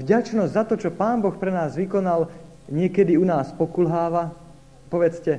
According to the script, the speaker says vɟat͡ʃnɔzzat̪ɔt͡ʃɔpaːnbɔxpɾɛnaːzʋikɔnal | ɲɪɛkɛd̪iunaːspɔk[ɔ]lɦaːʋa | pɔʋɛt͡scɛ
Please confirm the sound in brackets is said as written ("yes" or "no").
no